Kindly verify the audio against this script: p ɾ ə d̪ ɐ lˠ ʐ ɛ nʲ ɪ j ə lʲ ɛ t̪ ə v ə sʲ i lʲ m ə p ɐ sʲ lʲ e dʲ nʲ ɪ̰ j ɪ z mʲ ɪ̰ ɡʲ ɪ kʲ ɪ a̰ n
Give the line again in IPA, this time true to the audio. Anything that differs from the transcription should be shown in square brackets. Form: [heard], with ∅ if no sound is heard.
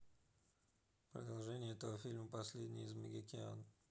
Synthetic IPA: p ɾ ə d̪ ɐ lˠ ʐ ɛ nʲ ɪ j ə [∅] ɛ t̪ ə v ə [fʲ] i lʲ m ə p ɐ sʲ lʲ e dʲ nʲ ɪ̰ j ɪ z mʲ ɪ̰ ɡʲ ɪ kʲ ɪ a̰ n